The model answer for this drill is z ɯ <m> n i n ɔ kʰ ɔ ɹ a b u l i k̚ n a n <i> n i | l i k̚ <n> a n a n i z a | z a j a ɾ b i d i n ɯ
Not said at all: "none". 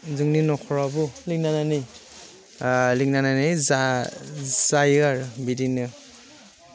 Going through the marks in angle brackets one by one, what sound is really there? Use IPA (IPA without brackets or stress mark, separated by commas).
ŋ, a, n